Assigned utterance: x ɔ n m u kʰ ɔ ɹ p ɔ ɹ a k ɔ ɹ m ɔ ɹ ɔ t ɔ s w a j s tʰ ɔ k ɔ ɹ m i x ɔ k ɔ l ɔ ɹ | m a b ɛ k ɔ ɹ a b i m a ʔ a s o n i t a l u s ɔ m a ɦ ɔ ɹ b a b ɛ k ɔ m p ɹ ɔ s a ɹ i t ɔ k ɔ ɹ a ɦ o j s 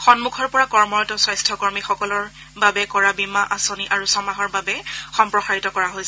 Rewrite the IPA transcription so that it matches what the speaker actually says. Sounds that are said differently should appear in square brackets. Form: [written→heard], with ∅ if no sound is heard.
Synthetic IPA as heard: x ɔ n m u kʰ ɔ ɹ p ɔ ɹ a k ɔ ɹ m ɔ ɹ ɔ t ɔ s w a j s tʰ ɔ k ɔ ɹ m i x ɔ k ɔ l ɔ ɹ | [m→b] a b ɛ k ɔ ɹ a b i m a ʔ a s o n i [t→ʔ] a [l→ɹ] u s ɔ m a ɦ ɔ ɹ b a b ɛ [k→x] ɔ m p ɹ ɔ [s→x] a ɹ i t ɔ k ɔ ɹ a ɦ o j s

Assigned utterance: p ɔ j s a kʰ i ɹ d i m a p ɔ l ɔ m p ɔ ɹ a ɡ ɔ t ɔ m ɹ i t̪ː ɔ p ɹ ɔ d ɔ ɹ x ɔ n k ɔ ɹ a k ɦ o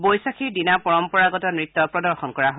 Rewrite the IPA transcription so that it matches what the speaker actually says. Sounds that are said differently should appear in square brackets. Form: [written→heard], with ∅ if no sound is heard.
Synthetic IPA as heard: [p→b] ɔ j s a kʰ i ɹ d i [m→n] a p ɔ [l→ɹ] ɔ m p ɔ ɹ a ɡ ɔ t ɔ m ɹ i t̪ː ɔ p ɹ ɔ d ɔ ɹ x ɔ n k ɔ ɹ a [k→∅] ɦ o

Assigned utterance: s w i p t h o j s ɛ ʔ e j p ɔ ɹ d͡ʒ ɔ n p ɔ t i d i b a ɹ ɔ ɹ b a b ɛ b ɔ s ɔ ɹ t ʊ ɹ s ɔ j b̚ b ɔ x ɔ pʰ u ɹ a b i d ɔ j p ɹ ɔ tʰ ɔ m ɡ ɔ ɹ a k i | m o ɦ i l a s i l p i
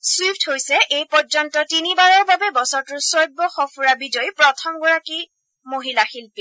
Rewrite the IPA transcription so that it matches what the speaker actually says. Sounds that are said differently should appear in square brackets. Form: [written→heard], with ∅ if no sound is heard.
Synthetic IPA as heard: s w i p t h o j s ɛ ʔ e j p ɔ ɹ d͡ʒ ɔ n [p→t] ɔ t i [d→n] i b a ɹ ɔ ɹ b a b ɛ b ɔ s ɔ ɹ t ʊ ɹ s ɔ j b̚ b ɔ x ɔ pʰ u ɹ a b i d ɔ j p ɹ ɔ tʰ ɔ m ɡ ɔ ɹ a k i | m o ɦ i l a [s→x] i l p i

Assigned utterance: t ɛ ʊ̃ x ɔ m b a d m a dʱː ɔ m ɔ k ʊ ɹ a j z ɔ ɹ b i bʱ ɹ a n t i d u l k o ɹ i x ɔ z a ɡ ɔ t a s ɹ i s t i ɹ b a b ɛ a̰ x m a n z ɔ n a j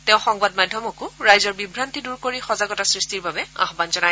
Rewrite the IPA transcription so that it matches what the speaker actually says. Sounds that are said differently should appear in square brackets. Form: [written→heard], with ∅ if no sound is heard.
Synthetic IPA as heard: t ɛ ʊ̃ x ɔ [m→ŋ] b a d m a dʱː ɔ m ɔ k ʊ ɹ a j z ɔ ɹ b i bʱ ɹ a n t i d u [l→ɹ] k o ɹ i x ɔ z a ɡ ɔ t a s ɹ i s t i ɹ b a b ɛ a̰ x [m→b] a n z ɔ n a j

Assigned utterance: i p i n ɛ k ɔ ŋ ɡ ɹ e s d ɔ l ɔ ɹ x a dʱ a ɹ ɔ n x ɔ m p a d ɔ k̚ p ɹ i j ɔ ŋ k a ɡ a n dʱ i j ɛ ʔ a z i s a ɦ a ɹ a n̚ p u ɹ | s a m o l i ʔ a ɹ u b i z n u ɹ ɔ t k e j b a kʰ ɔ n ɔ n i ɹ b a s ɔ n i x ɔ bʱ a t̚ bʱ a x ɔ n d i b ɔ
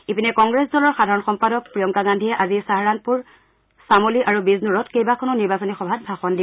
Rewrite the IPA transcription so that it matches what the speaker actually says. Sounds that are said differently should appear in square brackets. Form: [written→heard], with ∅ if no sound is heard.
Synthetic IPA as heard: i p i n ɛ k ɔ ŋ ɡ ɹ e s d ɔ l ɔ ɹ x a dʱ a ɹ ɔ n x ɔ m p a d ɔ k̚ p ɹ i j ɔ ŋ k a ɡ a n dʱ i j ɛ ʔ a z i s a ɦ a ɹ a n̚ p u ɹ | s a m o l i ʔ a ɹ u b i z n u ɹ ɔ t k e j b a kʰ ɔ n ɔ n i ɹ b a s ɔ n i x ɔ bʱ a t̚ bʱ a x ɔ n d i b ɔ

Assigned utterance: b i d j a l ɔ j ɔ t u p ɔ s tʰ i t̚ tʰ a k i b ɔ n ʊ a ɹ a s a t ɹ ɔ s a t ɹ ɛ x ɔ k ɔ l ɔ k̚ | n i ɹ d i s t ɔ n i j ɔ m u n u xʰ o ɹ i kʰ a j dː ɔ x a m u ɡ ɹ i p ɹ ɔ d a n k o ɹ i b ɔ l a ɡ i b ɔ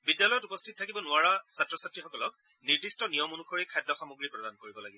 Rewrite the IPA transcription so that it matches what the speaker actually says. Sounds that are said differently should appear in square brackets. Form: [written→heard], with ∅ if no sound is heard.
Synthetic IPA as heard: b i d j a l ɔ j ɔ t u p ɔ s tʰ i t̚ tʰ a k i b ɔ n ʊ a ɹ a s a t ɹ ɔ s a t ɹ [ɛ→i] x ɔ k ɔ l ɔ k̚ | n i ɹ d i s t ɔ n i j ɔ m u n u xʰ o ɹ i kʰ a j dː ɔ x a m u ɡ ɹ i p ɹ ɔ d a n k o ɹ i b ɔ l a ɡ i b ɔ

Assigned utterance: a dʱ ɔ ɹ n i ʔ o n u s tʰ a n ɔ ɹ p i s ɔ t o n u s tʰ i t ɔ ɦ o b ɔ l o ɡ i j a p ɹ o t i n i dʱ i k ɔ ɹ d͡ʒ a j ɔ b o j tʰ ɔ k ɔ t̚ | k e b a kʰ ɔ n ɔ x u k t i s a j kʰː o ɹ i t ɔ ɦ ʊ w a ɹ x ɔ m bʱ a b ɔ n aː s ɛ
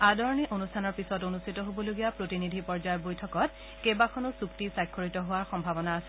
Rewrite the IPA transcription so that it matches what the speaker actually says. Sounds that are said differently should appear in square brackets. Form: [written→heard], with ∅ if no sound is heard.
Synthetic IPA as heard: a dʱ ɔ ɹ n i ʔ o n u s tʰ a n ɔ ɹ p i s ɔ t o n u s tʰ i t ɔ ɦ o b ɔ l o ɡ i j a p ɹ o t i n i dʱ i [k→p] ɔ ɹ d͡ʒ a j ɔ b o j tʰ ɔ k ɔ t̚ | k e b a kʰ ɔ n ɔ [x→s] u k t i s a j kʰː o ɹ i t ɔ ɦ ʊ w a ɹ x ɔ m bʱ a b ɔ n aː s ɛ

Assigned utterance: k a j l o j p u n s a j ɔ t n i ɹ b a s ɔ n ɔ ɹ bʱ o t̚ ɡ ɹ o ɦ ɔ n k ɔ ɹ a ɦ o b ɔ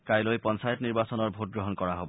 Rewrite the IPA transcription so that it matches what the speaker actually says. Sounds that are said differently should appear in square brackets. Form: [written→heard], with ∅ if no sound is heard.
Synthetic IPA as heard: k a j l o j p [u→ɔ] n s a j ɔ t n i ɹ b a s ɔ n ɔ ɹ bʱ o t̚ ɡ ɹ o ɦ ɔ n k ɔ ɹ a ɦ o b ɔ

